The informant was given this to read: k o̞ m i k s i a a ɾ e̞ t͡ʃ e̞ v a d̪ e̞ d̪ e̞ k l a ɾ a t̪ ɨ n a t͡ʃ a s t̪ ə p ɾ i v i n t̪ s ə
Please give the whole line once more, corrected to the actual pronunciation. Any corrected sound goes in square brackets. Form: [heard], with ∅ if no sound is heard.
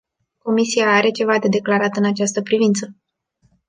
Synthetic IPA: k o̞ m i [∅] s i a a ɾ e̞ t͡ʃ e̞ v a d̪ e̞ d̪ e̞ k l a ɾ a t̪ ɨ n a t͡ʃ a s t̪ ə p ɾ i v i n t̪ s ə